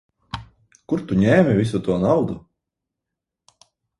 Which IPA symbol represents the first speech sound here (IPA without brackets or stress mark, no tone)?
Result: k